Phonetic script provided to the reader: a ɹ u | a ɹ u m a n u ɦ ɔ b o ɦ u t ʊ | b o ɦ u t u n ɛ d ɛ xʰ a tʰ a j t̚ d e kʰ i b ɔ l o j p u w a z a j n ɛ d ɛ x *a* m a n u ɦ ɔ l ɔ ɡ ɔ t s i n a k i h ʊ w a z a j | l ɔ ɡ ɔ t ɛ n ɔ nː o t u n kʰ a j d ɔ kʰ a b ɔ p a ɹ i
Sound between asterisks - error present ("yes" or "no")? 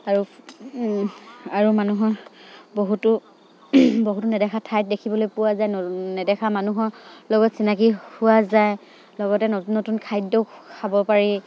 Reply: no